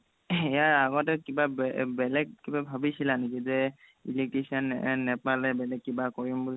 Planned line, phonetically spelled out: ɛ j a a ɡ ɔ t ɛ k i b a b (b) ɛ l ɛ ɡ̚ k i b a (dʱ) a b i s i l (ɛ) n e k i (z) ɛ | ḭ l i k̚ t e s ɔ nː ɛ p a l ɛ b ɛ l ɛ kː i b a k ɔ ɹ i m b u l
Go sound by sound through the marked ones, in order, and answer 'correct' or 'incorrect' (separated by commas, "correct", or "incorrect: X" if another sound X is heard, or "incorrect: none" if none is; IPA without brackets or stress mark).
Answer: correct, incorrect: bʱ, incorrect: a, correct